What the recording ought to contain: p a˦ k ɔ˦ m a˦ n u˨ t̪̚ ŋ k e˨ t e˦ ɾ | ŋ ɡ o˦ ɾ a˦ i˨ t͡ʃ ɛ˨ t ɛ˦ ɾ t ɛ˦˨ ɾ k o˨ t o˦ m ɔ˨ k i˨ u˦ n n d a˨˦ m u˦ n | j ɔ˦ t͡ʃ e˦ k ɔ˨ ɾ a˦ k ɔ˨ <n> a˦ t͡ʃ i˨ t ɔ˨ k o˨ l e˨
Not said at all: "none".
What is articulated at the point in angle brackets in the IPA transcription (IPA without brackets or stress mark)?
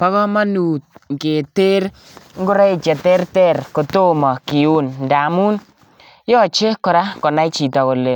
n